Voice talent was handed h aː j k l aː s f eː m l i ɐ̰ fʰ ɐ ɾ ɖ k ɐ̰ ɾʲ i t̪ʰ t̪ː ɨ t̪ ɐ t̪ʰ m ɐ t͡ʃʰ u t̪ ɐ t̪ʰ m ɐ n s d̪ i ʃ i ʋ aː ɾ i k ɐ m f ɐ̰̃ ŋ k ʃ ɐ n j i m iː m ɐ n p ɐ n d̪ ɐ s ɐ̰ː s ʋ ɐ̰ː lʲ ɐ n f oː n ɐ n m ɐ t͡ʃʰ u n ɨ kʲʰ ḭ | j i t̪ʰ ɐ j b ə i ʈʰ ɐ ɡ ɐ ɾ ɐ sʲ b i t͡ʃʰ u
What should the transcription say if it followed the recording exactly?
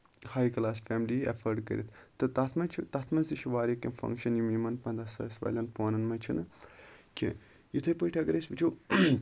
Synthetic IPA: h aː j k l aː s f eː m l i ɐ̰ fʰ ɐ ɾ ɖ k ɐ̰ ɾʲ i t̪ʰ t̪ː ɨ t̪ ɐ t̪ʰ m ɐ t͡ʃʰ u t̪ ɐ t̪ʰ m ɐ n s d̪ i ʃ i ʋ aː ɾ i k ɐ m f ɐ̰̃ ŋ k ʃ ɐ n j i m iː m ɐ n p ɐ n d̪ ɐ s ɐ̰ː s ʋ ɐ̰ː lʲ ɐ n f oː n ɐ n m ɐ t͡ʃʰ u n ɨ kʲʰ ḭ | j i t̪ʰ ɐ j p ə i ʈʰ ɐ ɡ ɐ ɾ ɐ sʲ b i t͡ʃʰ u

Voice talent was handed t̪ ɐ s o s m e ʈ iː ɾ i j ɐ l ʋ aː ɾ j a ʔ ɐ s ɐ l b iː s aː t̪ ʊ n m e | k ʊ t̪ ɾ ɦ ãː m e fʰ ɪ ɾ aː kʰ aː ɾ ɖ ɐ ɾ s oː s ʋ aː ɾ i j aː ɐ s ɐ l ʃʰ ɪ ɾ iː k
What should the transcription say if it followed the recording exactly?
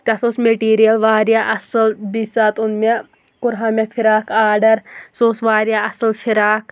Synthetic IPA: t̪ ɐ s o s m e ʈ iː ɾ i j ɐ l ʋ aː ɾ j a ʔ ɐ s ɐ l b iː s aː t̪ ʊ n m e | k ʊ ɾ ɦ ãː m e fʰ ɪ ɾ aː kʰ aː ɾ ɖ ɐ ɾ s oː s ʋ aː ɾ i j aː ɐ s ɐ l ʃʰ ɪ ɾ aː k

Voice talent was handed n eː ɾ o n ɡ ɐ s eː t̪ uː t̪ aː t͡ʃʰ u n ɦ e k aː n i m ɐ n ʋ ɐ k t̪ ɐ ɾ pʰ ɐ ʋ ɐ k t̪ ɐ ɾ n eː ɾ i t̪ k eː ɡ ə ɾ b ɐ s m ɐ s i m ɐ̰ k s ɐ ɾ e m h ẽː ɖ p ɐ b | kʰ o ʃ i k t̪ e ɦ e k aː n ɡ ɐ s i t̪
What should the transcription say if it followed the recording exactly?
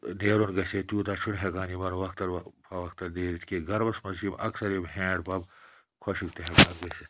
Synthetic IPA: n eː ɾ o n ɡ ɐ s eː t̪ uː t̪ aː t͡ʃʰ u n ɦ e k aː n i m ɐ n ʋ ɐ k t̪ ɐ ɾ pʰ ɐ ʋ ɐ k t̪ ɐ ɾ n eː ɾ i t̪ k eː ɡ ɐ ɾ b ɐ s m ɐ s i m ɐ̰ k s ɐ ɾ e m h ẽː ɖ p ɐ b | kʰ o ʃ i k t̪ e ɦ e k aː n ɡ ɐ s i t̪

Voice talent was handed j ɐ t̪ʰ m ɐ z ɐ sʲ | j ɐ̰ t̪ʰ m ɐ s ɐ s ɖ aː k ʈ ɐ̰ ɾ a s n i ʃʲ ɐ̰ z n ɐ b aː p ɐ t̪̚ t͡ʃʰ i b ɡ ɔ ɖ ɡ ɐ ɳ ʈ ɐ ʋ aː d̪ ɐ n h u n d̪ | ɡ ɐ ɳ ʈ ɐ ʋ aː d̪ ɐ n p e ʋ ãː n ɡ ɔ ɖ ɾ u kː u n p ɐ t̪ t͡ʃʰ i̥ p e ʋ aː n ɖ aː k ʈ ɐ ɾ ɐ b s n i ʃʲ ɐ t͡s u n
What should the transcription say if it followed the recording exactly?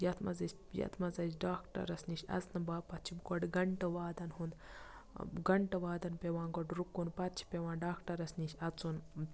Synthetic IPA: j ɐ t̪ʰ m ɐ z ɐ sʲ | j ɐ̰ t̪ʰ m ɐ z ɐ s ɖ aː k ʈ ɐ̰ ɾ ɐ s n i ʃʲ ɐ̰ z n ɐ b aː p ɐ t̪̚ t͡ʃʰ i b ɡ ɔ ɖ ɡ ɐ ɳ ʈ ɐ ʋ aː d̪ ɐ n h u n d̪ | ɡ ɐ ɳ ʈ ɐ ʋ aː d̪ ɐ n p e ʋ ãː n ɡ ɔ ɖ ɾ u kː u n p ɐ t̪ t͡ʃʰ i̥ p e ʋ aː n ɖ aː k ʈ ɐ ɾ ɐ s n i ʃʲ ɐ t͡s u n

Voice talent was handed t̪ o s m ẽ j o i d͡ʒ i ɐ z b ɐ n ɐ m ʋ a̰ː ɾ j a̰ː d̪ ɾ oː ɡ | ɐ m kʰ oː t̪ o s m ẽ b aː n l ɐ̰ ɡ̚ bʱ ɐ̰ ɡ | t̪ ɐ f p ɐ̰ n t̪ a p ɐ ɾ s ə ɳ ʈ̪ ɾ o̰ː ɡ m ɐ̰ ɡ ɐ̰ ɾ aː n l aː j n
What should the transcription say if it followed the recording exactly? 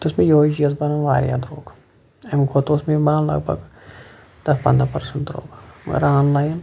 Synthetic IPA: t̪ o s m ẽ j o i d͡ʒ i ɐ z b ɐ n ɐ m ʋ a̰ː ɾ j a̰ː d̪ ɾ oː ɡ | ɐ m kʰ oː t̪ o s m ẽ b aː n l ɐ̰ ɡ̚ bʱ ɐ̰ ɡ | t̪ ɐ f p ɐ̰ n d̪ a p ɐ ɾ s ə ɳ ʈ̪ ɾ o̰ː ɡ m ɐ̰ ɡ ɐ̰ ɾ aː n l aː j n

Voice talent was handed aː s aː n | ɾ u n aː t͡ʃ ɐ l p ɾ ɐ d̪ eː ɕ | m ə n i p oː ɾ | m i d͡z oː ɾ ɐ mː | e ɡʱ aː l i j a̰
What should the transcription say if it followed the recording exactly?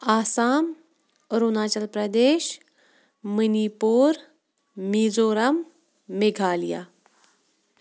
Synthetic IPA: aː s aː m | ɾ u n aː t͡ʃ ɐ l p ɾ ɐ d̪ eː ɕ | m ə n i p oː ɾ | m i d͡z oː ɾ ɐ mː | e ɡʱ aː l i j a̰

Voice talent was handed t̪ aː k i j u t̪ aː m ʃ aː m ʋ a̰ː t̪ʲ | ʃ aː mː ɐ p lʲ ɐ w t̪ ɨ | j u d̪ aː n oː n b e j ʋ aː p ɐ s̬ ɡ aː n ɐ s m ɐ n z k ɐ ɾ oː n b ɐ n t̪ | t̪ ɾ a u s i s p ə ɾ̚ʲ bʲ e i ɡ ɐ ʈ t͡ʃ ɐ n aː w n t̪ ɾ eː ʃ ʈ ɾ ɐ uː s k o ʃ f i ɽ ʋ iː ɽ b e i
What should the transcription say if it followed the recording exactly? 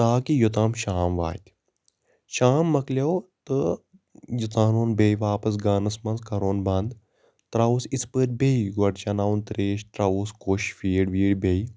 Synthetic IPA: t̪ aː k i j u t̪ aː m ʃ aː m ʋ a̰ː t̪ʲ | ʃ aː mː ɐ k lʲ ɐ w t̪ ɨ | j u t̪ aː n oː n b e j ʋ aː p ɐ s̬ ɡ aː n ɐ s m ɐ n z k ɐ ɾ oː n b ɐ n d̪ | t̪ ɾ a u s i s p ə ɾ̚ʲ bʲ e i ɡ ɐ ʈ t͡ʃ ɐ n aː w n t̪ ɾ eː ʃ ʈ ɾ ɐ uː s k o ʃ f iː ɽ ʋ iː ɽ b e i

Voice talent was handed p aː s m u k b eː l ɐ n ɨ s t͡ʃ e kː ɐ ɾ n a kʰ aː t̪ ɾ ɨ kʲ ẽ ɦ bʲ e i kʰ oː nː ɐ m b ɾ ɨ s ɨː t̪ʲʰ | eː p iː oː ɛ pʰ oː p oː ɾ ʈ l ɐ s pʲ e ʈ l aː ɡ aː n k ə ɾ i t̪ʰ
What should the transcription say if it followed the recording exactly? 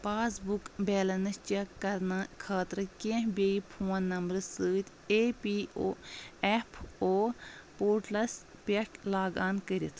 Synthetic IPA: p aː s b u k b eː l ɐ n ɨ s t͡ʃ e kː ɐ ɾ n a kʰ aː t̪ ɾ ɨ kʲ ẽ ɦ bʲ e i pʰ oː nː ɐ m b ɾ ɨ s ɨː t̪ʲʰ | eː p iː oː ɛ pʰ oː p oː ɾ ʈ l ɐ s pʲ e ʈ l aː ɡ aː n k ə ɾ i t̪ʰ

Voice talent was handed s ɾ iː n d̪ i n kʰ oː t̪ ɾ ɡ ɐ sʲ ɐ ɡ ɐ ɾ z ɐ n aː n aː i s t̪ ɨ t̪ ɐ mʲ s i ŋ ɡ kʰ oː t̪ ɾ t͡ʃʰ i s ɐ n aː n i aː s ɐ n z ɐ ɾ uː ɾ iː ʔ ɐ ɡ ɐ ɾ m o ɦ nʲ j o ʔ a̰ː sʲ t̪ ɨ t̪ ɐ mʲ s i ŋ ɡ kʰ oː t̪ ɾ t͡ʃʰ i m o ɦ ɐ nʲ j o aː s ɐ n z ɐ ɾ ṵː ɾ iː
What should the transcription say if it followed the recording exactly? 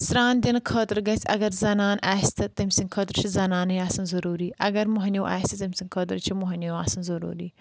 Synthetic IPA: s ɾ aː n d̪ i n kʰ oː t̪ ɾ ɡ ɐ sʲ ɐ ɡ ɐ ɾ z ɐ n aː n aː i s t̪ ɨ t̪ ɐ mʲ s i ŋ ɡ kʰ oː t̪ ɾ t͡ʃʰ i z ɐ n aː n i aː s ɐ n z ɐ ɾ uː ɾ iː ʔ ɐ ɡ ɐ ɾ m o ɦ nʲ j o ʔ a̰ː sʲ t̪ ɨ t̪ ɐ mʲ s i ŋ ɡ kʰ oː t̪ ɾ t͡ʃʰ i m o ɦ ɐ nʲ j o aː s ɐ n z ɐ ɾ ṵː ɾ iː

